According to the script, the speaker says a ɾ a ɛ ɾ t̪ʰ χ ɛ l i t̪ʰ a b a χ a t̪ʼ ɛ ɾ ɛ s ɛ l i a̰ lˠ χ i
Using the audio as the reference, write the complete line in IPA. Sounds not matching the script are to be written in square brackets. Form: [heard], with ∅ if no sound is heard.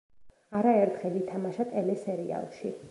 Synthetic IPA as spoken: a ɾ a ɛ ɾ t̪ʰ χ ɛ l i t̪ʰ a [m] a [ʃ] a t̪ʼ ɛ [l] ɛ s ɛ [ɾ] i a̰ lˠ [ʃ] i